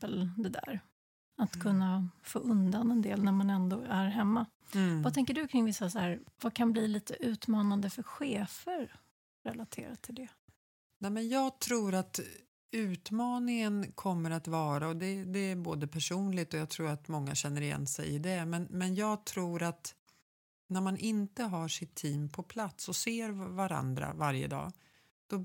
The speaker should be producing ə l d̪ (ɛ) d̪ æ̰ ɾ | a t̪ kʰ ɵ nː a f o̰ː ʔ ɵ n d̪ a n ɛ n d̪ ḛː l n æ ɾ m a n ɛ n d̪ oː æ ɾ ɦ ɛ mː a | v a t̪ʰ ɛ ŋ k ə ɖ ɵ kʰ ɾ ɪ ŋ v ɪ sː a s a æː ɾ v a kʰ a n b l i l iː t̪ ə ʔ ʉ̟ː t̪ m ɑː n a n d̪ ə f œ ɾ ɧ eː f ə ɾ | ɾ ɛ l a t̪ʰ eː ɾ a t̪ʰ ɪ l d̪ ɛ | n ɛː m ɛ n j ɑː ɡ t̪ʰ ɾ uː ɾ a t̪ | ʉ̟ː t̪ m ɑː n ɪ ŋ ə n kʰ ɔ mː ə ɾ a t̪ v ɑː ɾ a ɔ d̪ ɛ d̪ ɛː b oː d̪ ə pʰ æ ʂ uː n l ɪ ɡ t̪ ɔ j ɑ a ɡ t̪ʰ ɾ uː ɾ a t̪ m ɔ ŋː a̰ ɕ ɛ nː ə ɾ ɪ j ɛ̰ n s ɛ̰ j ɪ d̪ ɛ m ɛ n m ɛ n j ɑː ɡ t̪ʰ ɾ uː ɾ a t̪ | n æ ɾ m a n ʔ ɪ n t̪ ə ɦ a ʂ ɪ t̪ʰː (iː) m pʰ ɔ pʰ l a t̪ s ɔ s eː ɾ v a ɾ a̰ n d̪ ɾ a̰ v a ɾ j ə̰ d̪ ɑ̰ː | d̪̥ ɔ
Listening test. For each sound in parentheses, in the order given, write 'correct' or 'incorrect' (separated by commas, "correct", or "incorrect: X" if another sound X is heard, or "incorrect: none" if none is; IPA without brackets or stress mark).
correct, correct